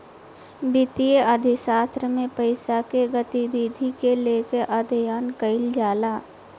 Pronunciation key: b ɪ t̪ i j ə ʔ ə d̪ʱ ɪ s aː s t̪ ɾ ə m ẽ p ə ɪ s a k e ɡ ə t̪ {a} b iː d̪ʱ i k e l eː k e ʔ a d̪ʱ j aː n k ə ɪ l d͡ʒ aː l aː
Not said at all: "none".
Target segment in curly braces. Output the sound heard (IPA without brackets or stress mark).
i